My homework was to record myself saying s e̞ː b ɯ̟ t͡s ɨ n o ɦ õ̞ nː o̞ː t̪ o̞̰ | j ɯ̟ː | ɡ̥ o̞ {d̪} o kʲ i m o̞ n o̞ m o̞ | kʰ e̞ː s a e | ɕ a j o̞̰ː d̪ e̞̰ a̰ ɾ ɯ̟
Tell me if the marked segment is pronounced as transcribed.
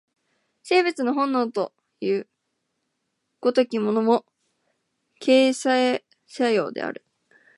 no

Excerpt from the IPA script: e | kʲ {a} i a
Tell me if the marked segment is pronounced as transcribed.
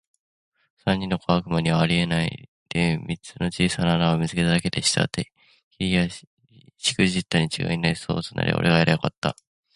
no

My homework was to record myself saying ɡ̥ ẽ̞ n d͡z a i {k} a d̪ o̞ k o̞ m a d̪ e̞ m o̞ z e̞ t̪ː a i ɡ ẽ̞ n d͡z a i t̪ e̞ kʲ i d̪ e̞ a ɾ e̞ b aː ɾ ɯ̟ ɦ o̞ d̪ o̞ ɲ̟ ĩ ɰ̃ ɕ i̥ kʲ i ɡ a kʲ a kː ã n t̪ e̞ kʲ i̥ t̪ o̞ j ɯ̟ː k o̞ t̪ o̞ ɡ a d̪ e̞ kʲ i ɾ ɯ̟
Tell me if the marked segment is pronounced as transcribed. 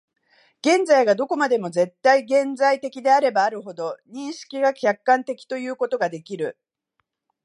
no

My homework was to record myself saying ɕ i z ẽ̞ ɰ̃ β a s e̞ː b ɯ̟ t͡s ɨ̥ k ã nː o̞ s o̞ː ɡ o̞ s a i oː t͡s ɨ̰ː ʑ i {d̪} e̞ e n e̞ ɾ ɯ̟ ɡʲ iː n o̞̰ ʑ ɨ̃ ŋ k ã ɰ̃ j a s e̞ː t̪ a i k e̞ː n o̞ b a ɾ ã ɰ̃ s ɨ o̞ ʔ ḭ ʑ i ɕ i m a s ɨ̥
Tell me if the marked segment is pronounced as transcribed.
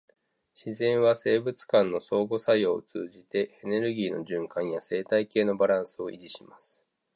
no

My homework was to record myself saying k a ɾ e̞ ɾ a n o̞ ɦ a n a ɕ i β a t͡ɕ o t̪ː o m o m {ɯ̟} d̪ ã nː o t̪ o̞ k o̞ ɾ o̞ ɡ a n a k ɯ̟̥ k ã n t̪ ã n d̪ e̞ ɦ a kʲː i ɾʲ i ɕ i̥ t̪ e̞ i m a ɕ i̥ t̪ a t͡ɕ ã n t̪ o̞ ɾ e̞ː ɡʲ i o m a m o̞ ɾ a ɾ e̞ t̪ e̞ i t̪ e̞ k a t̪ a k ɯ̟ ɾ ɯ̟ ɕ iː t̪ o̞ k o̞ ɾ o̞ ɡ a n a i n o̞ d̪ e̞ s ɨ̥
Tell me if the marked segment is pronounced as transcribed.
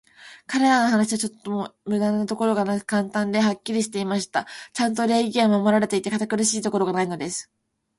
yes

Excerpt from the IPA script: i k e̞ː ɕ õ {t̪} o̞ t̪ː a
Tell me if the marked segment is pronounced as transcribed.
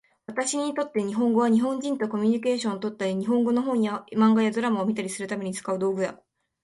yes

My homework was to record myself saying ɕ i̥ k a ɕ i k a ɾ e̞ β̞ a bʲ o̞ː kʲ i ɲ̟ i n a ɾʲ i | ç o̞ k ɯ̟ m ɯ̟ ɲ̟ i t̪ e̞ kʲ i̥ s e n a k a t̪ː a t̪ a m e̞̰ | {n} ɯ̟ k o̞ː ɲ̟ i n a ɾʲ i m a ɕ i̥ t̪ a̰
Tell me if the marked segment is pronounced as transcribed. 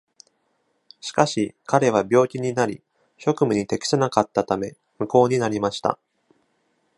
no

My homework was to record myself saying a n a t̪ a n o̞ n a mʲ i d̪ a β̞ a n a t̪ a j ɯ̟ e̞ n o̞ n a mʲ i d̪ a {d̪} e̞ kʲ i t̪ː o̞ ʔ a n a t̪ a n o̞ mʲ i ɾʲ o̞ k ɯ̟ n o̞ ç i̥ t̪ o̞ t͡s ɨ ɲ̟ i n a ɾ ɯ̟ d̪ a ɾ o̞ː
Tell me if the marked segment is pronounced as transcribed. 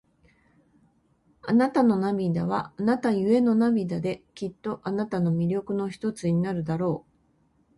yes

